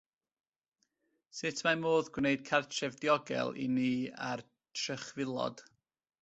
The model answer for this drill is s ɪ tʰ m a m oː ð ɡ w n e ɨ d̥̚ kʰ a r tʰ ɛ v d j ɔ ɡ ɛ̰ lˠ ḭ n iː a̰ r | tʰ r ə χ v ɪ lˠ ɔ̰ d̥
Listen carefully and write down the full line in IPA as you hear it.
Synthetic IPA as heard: s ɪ tʰ m a m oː ð ɡ w n e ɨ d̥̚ kʰ a r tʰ ɛ v d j ɔ ɡ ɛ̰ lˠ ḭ n iː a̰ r | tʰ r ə χ v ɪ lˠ ɔ̰ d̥